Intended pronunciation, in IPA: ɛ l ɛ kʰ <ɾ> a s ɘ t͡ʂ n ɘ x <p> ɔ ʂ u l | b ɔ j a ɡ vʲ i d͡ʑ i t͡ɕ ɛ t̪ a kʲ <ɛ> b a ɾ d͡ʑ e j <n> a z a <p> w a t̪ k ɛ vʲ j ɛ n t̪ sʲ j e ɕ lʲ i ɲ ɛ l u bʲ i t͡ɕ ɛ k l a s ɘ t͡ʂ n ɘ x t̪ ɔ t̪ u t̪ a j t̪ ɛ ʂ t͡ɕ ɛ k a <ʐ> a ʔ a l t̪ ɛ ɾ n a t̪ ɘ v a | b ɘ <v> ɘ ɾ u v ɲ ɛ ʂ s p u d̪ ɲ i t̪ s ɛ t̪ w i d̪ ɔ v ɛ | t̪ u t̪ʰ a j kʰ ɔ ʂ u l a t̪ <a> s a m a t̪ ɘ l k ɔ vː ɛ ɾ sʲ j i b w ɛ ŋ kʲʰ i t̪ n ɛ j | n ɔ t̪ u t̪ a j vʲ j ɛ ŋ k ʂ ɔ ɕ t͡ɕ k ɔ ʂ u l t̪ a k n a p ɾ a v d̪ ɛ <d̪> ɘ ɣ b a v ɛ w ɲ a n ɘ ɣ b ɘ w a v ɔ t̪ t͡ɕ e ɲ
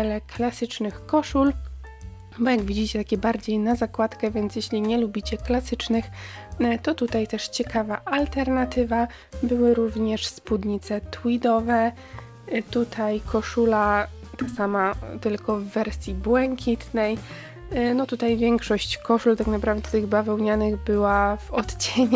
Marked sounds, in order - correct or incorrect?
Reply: incorrect: l, incorrect: k, correct, correct, incorrect: k, incorrect: v, incorrect: w, correct, incorrect: t̪

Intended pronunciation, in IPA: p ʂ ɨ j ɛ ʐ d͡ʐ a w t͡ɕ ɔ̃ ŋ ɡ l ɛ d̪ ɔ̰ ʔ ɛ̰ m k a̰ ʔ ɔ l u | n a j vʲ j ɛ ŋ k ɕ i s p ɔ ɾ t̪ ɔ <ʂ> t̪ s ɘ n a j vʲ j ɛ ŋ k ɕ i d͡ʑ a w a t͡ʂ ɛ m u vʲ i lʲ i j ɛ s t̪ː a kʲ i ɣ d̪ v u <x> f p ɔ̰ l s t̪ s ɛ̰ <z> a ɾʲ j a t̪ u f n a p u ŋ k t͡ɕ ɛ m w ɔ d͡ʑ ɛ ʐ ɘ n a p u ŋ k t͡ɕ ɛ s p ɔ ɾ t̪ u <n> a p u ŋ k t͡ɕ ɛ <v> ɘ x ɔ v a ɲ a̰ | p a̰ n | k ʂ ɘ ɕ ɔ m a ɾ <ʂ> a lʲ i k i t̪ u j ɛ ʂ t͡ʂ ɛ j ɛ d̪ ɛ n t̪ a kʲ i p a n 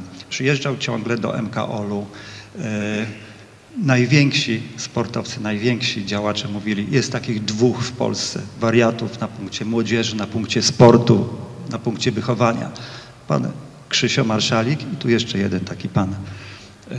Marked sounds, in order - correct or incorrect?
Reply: incorrect: f, correct, incorrect: v, correct, correct, correct

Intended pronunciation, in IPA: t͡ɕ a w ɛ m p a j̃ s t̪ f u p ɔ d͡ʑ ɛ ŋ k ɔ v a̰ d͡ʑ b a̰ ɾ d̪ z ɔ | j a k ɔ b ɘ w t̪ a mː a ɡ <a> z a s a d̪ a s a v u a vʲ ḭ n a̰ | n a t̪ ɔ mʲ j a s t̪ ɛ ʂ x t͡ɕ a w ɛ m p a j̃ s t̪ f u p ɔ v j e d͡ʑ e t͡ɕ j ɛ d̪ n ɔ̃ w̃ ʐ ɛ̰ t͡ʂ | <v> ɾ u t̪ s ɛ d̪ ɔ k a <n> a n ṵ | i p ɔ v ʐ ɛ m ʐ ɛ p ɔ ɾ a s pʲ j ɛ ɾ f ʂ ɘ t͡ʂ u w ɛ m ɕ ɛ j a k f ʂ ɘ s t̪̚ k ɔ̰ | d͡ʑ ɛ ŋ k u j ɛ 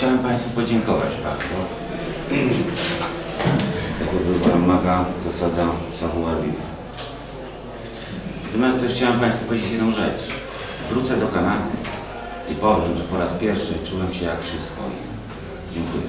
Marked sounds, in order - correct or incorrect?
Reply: correct, correct, correct

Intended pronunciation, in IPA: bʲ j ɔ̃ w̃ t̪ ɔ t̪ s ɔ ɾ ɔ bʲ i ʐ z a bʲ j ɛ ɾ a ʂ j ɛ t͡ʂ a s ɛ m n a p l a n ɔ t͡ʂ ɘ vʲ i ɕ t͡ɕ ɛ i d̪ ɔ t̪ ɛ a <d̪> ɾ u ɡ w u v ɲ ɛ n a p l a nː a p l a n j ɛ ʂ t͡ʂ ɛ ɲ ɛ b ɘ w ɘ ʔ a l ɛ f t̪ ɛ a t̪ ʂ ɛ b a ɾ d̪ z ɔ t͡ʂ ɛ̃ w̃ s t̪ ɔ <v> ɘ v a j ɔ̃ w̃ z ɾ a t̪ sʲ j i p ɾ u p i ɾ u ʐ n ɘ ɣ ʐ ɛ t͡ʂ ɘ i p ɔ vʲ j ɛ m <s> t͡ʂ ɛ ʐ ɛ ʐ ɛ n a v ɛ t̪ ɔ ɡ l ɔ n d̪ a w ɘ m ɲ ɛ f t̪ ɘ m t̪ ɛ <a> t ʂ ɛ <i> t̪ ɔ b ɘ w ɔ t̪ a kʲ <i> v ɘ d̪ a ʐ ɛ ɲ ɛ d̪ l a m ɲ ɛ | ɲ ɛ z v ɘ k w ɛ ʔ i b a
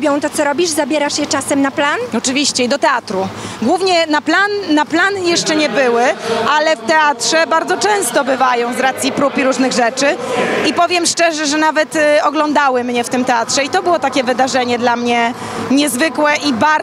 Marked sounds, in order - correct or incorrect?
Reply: incorrect: t̪, incorrect: b, incorrect: ʂ, correct, correct, incorrect: ɛ

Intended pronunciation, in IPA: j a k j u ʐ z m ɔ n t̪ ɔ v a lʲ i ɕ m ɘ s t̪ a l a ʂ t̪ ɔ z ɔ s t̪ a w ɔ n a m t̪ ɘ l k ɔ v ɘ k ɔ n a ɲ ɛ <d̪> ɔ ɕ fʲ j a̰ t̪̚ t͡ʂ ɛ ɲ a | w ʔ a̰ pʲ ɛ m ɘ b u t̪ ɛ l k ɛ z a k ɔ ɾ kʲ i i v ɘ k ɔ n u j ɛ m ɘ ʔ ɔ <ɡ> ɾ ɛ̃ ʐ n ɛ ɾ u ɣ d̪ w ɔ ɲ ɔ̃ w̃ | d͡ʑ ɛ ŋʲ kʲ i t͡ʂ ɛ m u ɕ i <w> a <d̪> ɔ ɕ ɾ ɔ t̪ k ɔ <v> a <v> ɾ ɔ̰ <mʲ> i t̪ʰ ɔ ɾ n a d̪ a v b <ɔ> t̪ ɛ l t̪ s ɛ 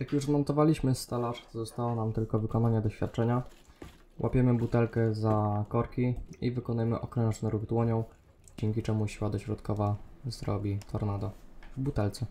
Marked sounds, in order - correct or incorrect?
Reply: correct, incorrect: k, correct, correct, correct, incorrect: z, incorrect: bʲ, incorrect: u

